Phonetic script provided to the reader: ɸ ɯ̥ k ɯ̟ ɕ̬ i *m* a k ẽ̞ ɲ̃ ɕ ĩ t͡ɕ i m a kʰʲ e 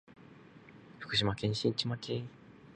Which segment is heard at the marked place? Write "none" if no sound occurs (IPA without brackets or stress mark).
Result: m